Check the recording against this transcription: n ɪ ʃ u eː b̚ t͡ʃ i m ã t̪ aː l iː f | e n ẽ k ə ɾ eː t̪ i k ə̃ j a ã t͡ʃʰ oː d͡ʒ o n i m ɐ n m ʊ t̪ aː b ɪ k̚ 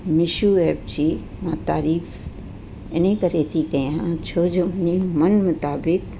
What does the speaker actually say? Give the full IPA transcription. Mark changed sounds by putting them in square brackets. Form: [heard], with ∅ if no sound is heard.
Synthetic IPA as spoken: [m] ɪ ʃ u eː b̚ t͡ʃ i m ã t̪ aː [ɾ] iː f | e n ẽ k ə ɾ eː t̪ i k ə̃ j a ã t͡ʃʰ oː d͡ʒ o n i m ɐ n m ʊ t̪ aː b ɪ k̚

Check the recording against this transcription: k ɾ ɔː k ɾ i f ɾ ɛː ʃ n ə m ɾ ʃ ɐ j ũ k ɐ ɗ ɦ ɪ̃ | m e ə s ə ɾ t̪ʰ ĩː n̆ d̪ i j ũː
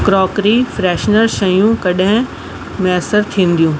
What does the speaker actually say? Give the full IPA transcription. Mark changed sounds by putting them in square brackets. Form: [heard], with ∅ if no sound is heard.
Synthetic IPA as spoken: k ɾ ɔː k ɾ i f ɾ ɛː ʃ n ə [∅] ɾ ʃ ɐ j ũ k ɐ ɗ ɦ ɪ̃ | m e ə s ə ɾ t̪ʰ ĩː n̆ d̪ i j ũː

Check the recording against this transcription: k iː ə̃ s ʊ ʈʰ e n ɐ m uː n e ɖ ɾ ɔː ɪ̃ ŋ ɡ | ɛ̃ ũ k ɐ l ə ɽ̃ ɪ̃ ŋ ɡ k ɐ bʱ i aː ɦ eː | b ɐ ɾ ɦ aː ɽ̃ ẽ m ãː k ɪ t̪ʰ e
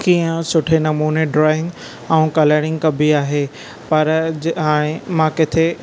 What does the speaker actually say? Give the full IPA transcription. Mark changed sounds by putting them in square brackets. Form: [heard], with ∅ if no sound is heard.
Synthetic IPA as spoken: k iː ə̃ s ʊ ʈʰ e n ɐ m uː n e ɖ ɾ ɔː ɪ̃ ŋ ɡ | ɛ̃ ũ k ɐ l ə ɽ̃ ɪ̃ ŋ ɡ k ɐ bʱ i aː ɦ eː | [p] ɐ ɾ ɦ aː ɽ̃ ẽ m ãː k ɪ t̪ʰ e

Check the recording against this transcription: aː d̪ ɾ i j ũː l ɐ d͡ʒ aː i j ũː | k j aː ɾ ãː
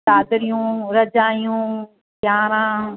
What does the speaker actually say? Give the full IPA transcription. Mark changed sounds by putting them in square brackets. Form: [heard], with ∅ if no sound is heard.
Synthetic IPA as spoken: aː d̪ ɾ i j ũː [ɾ] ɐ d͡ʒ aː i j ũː | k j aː ɾ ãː

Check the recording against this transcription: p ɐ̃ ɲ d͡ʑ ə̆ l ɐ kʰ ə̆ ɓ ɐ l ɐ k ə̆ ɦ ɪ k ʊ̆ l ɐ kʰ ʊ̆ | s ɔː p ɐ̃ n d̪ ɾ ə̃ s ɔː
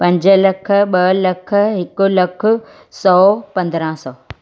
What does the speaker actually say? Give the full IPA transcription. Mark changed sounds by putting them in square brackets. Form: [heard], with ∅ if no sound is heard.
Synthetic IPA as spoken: p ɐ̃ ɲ d͡ʑ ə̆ l ɐ kʰ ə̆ ɓ ɐ l ɐ [kʰ] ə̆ ɦ ɪ k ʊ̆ l ɐ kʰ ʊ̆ | s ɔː p ɐ̃ n d̪ ɾ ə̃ s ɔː

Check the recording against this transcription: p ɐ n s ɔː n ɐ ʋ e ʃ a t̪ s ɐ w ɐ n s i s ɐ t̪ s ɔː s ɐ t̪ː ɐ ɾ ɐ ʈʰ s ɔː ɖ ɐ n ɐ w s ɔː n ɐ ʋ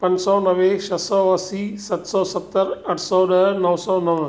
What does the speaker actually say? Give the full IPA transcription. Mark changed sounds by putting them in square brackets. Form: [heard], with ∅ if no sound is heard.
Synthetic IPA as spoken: p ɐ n s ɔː n ɐ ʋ e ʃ [ɐ] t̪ s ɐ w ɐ [∅] s i s ɐ t̪ s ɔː s ɐ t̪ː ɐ ɾ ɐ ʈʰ s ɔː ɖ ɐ n ɐ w s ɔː n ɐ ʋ

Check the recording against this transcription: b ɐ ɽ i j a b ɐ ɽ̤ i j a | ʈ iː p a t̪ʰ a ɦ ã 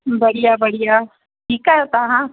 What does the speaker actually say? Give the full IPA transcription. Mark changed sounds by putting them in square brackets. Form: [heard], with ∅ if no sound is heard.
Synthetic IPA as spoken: b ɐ ɽ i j a b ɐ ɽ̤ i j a | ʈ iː [k] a [t̪] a ɦ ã

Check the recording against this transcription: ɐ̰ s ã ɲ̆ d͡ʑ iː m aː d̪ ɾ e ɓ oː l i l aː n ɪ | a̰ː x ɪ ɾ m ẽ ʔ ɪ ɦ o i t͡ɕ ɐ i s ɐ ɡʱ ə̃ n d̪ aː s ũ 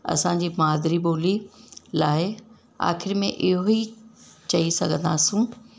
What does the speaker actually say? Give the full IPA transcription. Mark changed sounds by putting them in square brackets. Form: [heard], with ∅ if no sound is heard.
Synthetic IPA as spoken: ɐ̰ s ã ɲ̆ d͡ʑ iː m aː d̪ ɾ [i] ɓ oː l i l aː [∅] ɪ | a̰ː x ɪ ɾ m ẽ ʔ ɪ ɦ o i t͡ɕ ɐ i s ɐ ɡʱ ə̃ n d̪ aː s ũ

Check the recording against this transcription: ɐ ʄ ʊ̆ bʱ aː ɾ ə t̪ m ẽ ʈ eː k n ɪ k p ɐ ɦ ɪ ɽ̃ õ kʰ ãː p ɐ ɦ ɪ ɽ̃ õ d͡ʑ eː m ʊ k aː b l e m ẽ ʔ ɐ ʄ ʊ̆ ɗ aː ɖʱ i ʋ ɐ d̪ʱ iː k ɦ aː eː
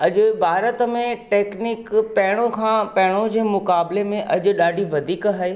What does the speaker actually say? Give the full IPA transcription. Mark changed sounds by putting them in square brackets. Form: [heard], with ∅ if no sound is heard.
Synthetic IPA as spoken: ɐ ʄ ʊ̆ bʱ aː ɾ ə t̪ m ẽ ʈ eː k n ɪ k p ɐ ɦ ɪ ɽ̃ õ kʰ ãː p ɐ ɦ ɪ ɽ̃ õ d͡ʑ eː m ʊ k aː b l e m ẽ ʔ ɐ ʄ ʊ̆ ɗ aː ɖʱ i ʋ ɐ d̪ʱ iː k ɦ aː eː

